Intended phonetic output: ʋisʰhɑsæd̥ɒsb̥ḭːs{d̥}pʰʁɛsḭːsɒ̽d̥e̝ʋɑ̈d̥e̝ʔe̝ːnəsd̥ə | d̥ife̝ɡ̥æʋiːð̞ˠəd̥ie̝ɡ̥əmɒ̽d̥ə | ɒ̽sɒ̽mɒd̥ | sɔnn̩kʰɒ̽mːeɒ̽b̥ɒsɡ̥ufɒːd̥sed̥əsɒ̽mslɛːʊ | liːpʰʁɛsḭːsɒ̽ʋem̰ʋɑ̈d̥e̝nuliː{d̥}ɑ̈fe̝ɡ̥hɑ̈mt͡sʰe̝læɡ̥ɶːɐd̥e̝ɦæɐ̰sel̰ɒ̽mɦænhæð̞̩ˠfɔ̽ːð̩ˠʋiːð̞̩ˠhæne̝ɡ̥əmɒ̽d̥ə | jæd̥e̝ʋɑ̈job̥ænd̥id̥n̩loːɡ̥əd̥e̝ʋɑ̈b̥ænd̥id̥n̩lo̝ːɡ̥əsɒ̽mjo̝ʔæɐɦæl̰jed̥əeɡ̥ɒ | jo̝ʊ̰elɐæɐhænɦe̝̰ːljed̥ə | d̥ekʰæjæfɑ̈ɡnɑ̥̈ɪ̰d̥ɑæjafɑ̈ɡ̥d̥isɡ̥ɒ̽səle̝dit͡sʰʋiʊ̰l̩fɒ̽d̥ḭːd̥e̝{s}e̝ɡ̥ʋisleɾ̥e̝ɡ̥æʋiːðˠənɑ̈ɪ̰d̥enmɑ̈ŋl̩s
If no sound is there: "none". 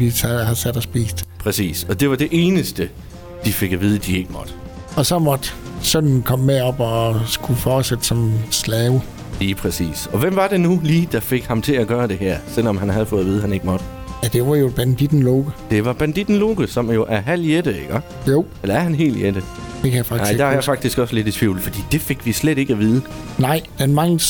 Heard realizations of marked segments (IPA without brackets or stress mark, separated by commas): d̥, d̥, f